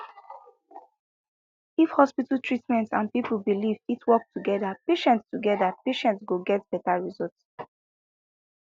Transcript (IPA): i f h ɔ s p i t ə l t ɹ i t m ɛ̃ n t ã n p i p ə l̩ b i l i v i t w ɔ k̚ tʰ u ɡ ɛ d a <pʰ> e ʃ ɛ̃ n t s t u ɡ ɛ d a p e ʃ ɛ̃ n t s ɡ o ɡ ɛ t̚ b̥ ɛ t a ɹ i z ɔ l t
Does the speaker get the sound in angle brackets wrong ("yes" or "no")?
yes